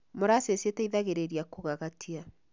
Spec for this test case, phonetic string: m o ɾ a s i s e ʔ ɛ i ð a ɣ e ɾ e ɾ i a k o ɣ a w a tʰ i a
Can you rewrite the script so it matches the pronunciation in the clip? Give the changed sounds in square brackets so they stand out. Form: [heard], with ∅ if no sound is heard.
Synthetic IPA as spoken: m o ɾ a s [e] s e [t] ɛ i ð a ɣ e ɾ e ɾ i a k o ɣ a [ɣ] a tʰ i a